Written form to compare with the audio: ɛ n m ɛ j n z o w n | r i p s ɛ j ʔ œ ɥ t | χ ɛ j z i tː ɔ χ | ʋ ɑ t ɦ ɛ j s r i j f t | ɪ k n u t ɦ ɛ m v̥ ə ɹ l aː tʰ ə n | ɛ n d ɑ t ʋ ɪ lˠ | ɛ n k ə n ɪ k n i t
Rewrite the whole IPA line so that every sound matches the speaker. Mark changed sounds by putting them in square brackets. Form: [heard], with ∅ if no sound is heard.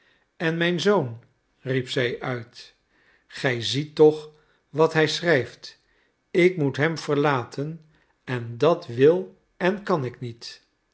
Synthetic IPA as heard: ɛ n m ɛ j n z o w n | r i p s ɛ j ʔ œ ɥ t | χ ɛ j z i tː ɔ χ | ʋ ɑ t ɦ ɛ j s r [ɛ] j f t | ɪ k [m] u t ɦ ɛ m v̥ ə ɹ l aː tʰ ə n | ɛ n d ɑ t ʋ ɪ lˠ | ɛ n k [ɑ] n ɪ k n i t